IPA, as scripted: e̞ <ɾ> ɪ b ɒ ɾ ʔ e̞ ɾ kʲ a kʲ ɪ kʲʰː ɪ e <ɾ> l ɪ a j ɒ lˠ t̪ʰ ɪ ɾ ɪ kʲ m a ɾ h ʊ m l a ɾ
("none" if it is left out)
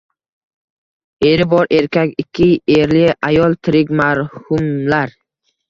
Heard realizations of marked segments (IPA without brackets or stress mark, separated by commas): ɾ, ɾ